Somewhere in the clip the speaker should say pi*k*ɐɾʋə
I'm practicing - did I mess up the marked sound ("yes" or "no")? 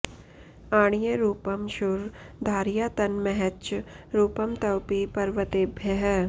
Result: yes